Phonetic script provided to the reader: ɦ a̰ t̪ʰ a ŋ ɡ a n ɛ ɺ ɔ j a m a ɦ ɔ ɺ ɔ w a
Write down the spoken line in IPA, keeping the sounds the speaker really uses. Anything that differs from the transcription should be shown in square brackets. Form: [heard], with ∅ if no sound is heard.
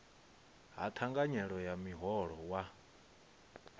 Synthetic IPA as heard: ɦ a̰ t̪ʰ a ŋ ɡ a [ɲ] ɛ ɺ ɔ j a m [i] ɦ ɔ ɺ ɔ w a